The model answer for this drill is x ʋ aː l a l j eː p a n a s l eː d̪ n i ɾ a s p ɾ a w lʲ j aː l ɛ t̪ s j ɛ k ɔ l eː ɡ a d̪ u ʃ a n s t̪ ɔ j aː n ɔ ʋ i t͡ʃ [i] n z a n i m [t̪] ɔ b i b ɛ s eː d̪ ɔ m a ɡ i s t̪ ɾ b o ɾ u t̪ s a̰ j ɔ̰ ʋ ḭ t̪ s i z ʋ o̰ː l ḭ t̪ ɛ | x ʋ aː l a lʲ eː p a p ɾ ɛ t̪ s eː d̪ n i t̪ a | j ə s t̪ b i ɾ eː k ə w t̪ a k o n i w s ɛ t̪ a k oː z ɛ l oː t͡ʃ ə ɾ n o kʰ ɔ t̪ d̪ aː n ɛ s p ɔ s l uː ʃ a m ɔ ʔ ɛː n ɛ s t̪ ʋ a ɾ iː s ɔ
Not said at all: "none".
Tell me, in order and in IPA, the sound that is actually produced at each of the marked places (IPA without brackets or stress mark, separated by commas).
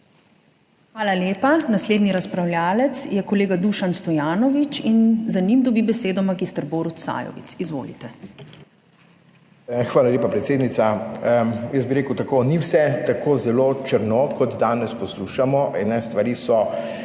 i, d̪